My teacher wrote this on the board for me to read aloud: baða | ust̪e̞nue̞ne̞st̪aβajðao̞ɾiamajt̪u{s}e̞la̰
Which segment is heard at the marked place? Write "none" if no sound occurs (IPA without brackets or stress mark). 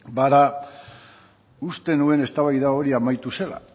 s